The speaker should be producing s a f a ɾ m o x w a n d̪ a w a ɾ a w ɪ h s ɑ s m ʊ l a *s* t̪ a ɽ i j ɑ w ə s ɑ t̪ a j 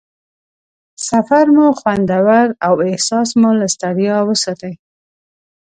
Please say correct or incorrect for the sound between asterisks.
correct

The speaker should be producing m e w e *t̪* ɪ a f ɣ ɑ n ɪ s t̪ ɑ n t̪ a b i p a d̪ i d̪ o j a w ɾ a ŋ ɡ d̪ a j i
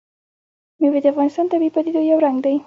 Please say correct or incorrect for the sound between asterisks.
incorrect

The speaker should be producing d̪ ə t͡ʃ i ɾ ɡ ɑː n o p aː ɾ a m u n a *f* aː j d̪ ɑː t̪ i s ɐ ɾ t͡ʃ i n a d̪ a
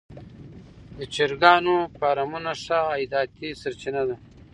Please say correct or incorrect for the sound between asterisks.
incorrect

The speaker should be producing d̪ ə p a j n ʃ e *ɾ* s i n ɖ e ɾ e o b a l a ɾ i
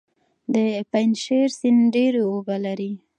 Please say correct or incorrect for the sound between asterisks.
correct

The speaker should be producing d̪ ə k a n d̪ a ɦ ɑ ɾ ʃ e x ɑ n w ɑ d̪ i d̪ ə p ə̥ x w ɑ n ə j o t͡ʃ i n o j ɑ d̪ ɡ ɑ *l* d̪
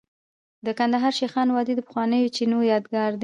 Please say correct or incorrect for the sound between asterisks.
incorrect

